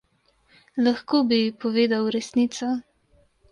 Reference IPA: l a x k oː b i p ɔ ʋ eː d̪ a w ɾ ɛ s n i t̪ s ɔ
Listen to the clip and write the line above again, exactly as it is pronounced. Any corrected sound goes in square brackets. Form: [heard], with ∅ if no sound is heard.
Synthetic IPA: l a x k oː b i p ɔ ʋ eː d̪ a w ɾ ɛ s n i t̪ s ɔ